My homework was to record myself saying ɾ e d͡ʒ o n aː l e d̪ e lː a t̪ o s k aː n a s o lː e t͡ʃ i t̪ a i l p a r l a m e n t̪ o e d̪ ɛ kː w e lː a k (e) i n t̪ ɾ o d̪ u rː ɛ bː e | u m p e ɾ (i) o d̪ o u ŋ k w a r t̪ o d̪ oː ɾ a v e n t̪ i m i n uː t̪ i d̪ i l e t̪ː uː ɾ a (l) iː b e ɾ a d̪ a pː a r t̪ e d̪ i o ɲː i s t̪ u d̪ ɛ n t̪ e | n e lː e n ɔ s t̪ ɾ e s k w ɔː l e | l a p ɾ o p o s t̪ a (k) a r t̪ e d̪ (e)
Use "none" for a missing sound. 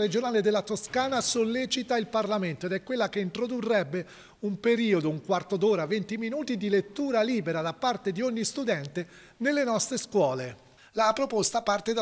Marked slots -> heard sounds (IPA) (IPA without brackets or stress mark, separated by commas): e, iː, l, p, a